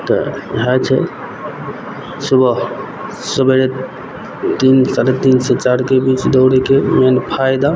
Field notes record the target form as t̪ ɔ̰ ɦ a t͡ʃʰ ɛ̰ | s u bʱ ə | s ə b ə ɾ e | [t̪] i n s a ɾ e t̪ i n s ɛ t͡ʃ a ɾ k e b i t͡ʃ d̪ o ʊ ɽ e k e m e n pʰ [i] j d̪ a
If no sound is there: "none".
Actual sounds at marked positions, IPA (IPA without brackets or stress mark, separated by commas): t̪, a